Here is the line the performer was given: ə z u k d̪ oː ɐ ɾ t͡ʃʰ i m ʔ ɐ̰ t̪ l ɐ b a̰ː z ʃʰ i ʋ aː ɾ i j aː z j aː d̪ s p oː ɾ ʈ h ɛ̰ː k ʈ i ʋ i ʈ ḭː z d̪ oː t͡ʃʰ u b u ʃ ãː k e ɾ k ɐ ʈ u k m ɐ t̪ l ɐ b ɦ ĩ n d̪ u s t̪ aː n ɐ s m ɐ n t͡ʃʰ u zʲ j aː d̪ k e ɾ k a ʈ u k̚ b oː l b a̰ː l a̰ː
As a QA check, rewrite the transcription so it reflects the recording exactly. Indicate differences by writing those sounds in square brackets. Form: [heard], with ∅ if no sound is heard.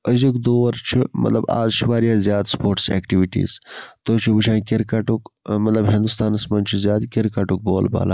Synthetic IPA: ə z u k d̪ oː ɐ ɾ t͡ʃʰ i m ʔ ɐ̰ t̪ l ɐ b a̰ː z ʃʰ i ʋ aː ɾ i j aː z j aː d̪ s p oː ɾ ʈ [s] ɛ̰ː k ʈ i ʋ i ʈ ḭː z [t̪] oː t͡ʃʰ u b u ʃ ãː k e ɾ k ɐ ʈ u k m ɐ t̪ l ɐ b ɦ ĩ n d̪ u s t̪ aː n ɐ s m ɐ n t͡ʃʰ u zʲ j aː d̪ k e ɾ k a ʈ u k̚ b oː l b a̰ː l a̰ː